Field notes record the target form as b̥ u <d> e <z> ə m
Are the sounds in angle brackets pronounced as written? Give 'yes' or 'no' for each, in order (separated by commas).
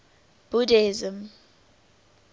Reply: yes, yes